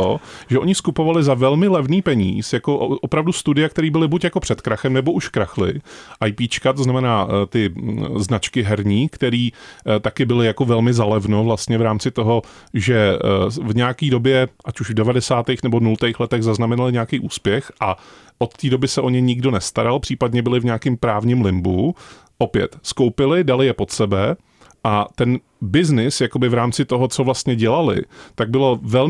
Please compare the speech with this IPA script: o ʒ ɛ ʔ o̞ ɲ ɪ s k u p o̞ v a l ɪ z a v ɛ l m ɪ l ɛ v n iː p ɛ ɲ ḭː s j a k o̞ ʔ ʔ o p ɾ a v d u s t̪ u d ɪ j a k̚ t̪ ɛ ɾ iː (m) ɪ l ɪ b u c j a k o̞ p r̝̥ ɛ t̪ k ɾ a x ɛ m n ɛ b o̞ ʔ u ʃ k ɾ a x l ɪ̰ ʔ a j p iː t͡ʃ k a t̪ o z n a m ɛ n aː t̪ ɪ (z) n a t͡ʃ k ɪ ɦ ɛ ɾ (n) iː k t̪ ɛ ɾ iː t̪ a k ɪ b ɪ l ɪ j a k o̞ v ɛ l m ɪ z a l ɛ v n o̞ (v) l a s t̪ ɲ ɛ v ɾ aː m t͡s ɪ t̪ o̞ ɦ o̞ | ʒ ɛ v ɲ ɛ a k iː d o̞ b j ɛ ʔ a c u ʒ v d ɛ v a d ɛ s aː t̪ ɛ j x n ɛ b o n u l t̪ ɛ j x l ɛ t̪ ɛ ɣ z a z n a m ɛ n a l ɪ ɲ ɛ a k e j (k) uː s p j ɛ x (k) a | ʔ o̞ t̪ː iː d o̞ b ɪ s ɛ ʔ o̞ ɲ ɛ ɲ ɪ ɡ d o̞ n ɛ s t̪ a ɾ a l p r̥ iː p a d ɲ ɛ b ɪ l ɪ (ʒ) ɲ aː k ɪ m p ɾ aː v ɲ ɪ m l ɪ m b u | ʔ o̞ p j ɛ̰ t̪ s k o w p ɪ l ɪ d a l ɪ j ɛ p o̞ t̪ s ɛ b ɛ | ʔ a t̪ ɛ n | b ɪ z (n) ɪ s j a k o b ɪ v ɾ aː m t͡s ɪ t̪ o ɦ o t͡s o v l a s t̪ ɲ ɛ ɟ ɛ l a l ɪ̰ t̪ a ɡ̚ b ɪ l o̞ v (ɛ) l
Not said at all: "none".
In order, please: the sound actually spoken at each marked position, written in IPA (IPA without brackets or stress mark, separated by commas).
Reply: b, z, ɲ, v, ʔ, ʔ, v, n, ɛ